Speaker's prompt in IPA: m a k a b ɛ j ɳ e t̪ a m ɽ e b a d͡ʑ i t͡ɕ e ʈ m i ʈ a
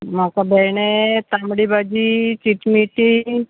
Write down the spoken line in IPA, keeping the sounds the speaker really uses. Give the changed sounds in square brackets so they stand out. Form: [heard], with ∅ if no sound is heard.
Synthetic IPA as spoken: m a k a b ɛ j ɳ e t̪ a m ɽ [i] b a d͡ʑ i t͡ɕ [i] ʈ m i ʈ [i]